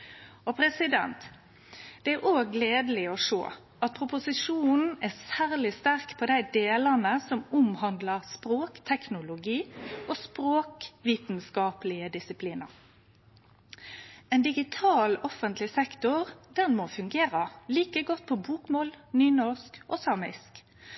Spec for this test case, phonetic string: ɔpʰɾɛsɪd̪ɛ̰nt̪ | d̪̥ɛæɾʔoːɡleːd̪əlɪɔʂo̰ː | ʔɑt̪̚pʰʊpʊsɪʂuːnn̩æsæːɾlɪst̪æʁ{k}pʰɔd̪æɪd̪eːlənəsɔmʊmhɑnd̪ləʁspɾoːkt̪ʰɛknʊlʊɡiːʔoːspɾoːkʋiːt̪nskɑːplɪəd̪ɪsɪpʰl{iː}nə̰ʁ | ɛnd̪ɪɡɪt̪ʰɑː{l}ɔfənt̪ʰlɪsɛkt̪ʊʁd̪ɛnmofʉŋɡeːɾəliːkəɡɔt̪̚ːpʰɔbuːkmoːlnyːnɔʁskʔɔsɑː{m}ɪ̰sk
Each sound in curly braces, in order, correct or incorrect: correct, correct, correct, correct

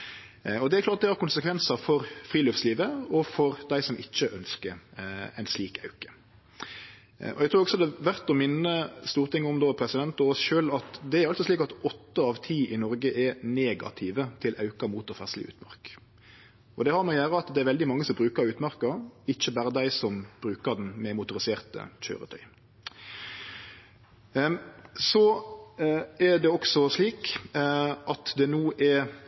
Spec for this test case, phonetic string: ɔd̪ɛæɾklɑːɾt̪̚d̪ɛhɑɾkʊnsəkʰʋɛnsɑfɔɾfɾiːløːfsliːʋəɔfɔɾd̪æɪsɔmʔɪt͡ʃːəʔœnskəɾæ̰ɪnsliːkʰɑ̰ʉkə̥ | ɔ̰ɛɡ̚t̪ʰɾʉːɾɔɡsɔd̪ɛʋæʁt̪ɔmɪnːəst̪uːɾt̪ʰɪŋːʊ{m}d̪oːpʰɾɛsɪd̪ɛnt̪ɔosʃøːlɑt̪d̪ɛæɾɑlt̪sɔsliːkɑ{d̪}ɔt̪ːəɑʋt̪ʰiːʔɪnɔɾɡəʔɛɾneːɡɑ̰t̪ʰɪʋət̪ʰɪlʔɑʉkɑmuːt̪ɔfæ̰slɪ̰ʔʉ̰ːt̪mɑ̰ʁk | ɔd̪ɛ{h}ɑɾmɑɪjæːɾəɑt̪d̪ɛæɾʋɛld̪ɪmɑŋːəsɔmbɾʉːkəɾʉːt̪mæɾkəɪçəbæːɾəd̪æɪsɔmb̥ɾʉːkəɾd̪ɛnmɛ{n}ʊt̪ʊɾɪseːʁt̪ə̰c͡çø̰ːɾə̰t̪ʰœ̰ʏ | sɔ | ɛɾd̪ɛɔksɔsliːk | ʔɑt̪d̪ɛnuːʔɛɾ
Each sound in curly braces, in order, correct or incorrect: correct, incorrect, correct, incorrect

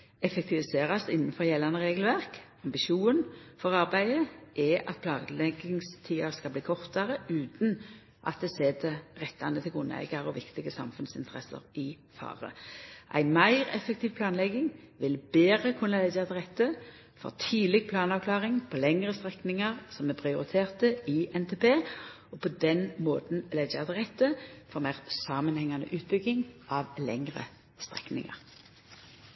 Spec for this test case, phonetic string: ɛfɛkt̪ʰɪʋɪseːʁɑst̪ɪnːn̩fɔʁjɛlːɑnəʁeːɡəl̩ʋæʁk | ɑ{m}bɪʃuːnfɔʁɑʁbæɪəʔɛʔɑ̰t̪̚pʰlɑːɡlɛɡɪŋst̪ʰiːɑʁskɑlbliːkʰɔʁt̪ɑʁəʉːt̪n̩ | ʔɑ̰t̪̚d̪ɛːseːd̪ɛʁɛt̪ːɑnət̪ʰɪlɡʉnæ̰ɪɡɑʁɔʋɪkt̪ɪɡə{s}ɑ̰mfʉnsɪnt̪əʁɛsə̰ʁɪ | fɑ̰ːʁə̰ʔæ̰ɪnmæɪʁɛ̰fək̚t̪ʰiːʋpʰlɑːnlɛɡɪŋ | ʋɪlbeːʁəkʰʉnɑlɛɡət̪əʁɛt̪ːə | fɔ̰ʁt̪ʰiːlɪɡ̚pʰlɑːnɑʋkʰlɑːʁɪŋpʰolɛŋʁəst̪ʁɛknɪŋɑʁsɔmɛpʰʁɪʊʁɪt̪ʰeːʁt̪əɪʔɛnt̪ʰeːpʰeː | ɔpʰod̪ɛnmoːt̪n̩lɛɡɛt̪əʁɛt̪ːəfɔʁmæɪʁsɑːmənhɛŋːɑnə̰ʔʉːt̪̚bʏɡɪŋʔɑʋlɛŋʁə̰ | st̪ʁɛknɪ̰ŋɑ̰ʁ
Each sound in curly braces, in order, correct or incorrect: correct, correct

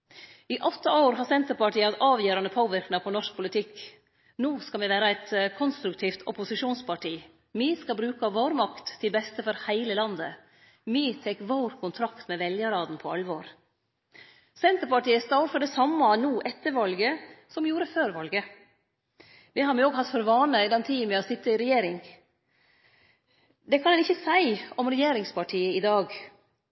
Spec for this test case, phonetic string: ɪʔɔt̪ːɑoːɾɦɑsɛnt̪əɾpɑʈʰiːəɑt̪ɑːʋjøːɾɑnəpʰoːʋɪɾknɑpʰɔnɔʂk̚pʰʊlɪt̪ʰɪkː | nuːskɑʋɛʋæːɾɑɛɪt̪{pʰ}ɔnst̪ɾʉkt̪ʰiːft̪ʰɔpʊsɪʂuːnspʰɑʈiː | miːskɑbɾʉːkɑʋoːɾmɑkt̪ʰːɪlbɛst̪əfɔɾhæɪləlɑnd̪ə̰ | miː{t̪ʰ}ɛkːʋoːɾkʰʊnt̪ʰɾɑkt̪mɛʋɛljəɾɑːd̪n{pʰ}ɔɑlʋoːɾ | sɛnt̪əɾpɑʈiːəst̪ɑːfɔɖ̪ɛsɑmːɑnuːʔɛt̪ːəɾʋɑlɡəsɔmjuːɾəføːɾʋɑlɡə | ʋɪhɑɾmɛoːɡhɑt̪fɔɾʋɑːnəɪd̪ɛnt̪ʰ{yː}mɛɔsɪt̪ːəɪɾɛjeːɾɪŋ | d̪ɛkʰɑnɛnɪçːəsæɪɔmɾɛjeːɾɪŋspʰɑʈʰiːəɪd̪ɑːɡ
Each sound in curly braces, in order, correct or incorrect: incorrect, correct, correct, incorrect

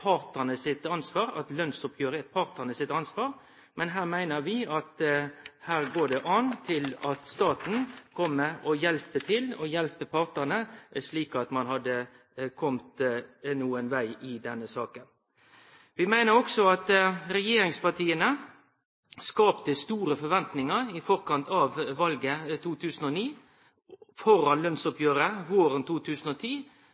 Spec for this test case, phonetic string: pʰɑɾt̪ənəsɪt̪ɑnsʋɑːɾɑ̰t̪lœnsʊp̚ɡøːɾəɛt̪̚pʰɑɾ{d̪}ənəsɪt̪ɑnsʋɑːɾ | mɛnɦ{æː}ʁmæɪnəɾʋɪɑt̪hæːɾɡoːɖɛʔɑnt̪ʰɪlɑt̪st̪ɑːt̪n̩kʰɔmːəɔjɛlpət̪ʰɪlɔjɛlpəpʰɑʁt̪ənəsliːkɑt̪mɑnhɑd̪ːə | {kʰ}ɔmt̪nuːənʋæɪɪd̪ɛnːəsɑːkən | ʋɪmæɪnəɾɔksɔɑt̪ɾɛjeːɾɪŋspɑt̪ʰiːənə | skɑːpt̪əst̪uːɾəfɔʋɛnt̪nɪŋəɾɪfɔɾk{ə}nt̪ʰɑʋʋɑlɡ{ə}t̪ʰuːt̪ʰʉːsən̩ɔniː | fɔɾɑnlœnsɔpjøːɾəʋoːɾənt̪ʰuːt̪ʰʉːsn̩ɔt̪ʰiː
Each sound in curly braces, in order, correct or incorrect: incorrect, correct, correct, incorrect, correct

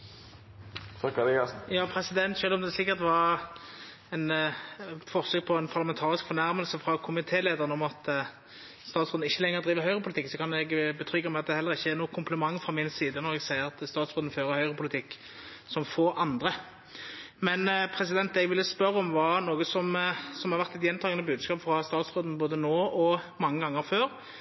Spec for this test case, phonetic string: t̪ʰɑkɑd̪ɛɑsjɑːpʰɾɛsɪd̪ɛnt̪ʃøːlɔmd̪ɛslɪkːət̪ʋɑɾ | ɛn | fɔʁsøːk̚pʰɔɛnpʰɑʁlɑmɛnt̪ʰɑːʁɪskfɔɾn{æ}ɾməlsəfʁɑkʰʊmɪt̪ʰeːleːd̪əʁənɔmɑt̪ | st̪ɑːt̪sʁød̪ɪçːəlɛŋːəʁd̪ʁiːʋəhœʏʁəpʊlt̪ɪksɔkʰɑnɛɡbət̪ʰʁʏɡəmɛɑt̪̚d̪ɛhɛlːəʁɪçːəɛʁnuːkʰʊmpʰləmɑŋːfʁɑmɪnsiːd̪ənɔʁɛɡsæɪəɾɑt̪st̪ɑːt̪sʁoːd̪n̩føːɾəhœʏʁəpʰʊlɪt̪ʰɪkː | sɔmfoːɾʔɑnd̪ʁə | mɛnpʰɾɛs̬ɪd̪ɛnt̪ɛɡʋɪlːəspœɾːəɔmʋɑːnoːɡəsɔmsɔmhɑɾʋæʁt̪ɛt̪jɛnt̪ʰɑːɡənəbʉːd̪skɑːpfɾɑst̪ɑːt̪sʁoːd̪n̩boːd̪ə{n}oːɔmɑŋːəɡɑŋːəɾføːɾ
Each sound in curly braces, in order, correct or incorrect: correct, correct

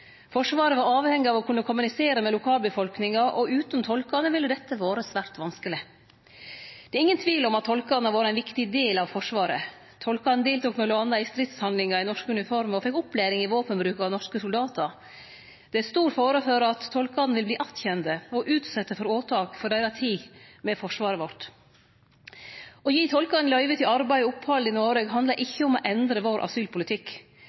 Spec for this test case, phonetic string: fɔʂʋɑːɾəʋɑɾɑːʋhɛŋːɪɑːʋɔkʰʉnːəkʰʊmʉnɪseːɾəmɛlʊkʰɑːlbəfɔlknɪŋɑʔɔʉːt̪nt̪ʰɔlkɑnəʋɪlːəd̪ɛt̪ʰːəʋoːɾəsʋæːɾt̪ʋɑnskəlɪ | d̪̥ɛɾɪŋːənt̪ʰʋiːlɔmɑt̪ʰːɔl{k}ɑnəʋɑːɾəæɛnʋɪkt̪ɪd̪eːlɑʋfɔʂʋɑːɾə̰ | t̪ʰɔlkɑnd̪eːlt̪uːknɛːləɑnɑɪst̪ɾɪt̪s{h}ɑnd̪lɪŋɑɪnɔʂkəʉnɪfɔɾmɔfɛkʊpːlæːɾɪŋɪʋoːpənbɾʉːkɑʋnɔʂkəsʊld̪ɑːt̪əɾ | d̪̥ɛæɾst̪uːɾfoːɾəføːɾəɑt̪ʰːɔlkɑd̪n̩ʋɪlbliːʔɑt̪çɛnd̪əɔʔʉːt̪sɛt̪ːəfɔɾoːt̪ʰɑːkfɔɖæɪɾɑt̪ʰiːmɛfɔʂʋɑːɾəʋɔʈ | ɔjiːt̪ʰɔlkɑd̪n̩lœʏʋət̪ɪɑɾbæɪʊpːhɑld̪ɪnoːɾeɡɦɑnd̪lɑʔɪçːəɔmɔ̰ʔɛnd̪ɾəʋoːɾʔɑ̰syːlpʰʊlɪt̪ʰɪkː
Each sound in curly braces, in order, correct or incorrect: correct, correct

